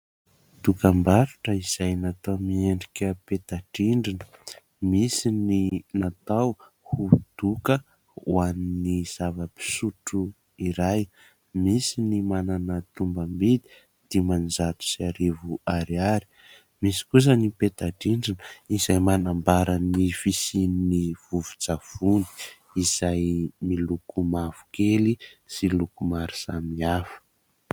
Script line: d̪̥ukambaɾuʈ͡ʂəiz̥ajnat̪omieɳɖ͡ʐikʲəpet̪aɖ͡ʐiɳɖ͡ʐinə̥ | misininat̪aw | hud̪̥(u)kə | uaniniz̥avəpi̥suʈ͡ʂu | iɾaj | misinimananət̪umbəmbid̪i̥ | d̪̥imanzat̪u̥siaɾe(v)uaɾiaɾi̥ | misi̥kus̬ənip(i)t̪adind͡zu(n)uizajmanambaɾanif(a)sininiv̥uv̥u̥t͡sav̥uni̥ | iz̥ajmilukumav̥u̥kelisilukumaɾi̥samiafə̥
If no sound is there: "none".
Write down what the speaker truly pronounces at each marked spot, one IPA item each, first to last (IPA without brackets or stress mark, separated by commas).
u, v, e, n, i